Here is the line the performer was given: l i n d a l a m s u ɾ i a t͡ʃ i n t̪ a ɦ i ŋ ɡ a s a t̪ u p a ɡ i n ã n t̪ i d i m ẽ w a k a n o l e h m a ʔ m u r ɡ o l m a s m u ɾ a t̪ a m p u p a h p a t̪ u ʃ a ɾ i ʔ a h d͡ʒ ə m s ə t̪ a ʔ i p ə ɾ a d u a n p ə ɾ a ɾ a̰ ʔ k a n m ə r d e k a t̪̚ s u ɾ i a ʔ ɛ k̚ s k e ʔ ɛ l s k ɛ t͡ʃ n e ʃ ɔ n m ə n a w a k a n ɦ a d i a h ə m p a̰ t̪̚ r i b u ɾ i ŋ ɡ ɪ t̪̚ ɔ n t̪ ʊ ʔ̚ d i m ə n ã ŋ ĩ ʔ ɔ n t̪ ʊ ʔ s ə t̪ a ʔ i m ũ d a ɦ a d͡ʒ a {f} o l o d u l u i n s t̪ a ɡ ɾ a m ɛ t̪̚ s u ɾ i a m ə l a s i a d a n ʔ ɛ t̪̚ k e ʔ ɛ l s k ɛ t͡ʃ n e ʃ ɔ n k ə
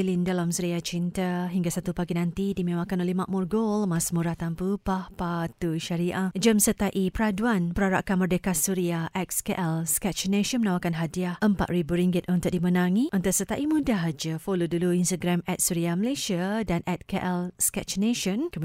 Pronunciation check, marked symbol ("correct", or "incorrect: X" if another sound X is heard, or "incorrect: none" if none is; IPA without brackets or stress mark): correct